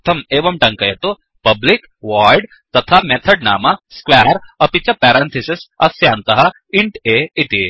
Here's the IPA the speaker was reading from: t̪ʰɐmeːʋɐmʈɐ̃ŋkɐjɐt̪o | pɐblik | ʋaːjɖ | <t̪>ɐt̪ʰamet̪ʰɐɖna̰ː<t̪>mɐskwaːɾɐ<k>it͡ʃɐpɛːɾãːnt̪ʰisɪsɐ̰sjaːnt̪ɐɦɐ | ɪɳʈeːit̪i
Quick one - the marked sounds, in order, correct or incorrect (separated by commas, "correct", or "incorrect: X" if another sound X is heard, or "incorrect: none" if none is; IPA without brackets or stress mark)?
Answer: correct, incorrect: none, incorrect: p